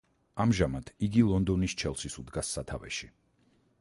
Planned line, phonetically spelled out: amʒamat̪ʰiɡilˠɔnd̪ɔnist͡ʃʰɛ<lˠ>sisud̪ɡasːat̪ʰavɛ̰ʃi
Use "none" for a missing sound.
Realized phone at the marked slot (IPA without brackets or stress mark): lˠ